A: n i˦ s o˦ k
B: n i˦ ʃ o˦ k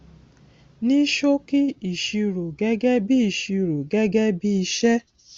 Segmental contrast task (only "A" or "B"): B